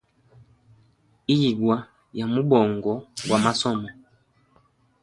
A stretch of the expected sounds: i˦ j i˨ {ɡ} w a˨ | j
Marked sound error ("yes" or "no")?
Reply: no